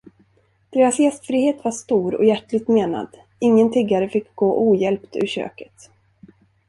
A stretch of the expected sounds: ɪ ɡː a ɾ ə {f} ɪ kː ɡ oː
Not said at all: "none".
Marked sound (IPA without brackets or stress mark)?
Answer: f